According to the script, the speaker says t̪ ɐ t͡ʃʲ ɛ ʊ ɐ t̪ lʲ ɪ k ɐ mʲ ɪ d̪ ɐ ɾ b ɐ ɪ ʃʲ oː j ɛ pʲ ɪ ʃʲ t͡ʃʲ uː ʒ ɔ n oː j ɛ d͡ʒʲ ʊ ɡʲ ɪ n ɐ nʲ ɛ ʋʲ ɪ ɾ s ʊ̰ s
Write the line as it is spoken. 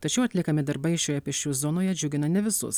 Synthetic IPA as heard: t̪ ɐ t͡ʃʲ ɛ ʊ ɐ t̪ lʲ ɪ k ɐ mʲ ɪ d̪ ɐ ɾ b ɐ ɪ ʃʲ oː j ɛ pʲ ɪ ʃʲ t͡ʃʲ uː z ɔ n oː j ɛ d͡ʒʲ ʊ ɡʲ ɪ n ɐ nʲ ɛ ʋʲ ɪ s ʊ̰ s